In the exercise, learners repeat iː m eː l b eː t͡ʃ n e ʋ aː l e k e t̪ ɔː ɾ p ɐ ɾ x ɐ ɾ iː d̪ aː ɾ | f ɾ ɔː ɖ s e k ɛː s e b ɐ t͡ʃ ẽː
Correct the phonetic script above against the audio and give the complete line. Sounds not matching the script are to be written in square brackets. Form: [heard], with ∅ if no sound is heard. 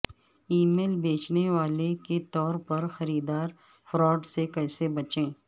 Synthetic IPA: iː m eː l b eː t͡ʃ n e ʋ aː l e k e t̪ ɔː ɾ p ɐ ɾ x ɐ ɾ iː d̪ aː ɾ | f ɾ ɔː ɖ s e k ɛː s e b ɐ t͡ʃ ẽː